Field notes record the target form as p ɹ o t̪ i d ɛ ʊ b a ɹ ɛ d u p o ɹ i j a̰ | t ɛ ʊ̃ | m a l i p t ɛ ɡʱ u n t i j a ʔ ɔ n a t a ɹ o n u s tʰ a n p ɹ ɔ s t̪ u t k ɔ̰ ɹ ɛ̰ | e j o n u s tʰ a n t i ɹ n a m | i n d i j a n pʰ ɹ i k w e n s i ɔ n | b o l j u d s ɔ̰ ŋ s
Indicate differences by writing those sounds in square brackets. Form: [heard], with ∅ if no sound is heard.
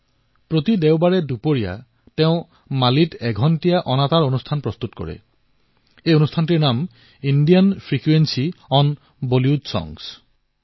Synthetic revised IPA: p ɹ o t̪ i d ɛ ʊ b a ɹ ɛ d u p o ɹ i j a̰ | t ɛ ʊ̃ | m a l i [∅] t ɛ ɡʱ [ɔ] n t i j a ʔ ɔ n a t a ɹ o n u s tʰ a n p ɹ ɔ s t̪ u t k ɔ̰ ɹ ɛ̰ | e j o n u s tʰ a n t i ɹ n a m | i n d i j a n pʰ ɹ i k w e n s i ɔ n | b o l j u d s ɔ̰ ŋ s